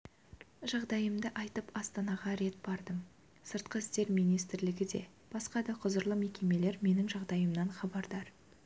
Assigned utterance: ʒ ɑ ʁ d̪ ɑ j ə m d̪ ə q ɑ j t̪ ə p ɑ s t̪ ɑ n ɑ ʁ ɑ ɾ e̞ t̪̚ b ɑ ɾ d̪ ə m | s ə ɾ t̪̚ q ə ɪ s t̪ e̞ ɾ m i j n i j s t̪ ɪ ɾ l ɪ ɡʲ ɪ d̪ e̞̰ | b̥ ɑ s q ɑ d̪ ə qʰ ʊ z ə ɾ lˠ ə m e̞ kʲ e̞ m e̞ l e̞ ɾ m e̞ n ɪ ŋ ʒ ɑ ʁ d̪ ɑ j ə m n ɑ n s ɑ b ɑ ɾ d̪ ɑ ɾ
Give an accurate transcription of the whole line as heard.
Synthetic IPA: ʒ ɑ ʁ d̪ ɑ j ə m d̪ ə ʔ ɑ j t̪ ə p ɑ s t̪ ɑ n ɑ ʁ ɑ ɾ e̞ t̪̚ b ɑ ɾ d̪ ə m | s ə ɾ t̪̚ q ə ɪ s t̪ e̞ ɾ m i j n i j s t̪ ɪ ɾ l ɪ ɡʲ ɪ d̪ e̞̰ | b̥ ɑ s q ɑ d̪ ɑ qʰ ʊ z ə ɾ lˠ ə m e̞ kʲ e̞ m e̞ l e̞ ɾ m e̞ n ɪ ŋ ʒ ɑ ʁ d̪ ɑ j ə m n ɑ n χ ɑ b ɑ ɾ d̪ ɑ ɾ